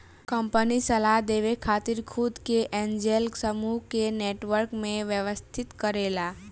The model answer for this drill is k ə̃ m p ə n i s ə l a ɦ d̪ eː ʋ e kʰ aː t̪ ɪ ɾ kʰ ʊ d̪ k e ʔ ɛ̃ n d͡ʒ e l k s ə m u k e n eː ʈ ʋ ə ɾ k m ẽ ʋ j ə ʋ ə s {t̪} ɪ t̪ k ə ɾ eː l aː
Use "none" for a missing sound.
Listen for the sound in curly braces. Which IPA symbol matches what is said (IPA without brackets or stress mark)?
t̪ʰ